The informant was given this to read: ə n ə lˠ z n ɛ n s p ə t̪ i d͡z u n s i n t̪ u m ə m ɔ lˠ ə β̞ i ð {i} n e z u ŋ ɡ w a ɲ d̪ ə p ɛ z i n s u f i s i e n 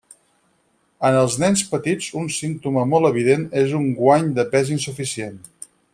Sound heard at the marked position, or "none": e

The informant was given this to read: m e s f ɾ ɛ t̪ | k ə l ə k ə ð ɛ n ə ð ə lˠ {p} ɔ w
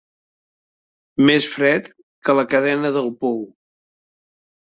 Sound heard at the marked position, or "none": p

